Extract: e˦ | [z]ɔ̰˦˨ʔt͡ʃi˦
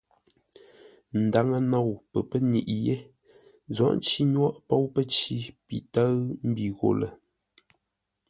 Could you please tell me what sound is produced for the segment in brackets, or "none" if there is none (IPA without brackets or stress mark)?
z